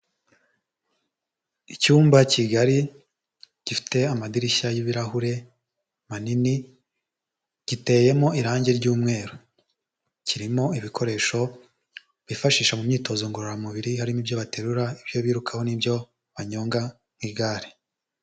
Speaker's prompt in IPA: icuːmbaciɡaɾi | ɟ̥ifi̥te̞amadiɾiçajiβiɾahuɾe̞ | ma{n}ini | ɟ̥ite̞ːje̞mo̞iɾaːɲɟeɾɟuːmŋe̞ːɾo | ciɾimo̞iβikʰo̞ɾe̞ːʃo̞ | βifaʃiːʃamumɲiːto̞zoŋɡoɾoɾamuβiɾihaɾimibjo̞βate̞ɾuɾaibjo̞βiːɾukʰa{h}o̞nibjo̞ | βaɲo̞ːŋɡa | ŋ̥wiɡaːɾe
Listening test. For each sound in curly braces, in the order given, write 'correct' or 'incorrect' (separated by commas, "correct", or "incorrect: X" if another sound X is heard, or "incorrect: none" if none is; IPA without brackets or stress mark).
correct, correct